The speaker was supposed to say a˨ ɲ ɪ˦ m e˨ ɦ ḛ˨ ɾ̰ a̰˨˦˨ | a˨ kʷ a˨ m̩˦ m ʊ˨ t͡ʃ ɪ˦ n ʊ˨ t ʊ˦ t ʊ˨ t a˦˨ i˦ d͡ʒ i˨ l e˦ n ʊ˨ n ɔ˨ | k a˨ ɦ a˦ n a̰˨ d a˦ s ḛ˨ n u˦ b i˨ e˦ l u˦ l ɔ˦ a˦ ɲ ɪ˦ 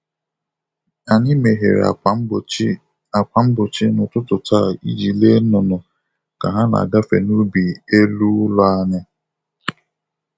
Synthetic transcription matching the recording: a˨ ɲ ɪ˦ m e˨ ɦ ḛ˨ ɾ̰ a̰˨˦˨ | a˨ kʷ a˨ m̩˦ b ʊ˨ t͡ʃ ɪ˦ n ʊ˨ t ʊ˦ t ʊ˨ t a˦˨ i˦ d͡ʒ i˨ l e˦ n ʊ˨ n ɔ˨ | k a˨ ɦ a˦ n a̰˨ ɡ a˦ f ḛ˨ n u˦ b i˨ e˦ l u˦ l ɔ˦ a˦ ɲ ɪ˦